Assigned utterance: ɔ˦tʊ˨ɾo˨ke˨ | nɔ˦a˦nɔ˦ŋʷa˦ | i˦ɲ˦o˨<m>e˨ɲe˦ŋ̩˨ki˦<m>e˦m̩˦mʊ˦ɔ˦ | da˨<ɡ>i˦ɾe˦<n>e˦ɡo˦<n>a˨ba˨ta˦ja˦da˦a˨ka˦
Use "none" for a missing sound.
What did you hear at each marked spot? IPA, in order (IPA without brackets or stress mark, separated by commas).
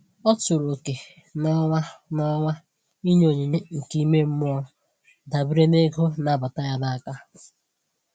ɲ, m, b, n, n